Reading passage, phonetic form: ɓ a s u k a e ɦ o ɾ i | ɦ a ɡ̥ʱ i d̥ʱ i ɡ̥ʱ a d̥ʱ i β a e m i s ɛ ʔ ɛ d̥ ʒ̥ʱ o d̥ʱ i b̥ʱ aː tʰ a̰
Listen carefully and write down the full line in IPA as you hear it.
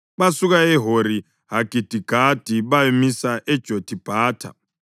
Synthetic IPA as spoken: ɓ a s u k a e ɦ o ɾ i | ɦ a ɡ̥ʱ i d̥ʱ i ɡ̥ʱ a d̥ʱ i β a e m i s a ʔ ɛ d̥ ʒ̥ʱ o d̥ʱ i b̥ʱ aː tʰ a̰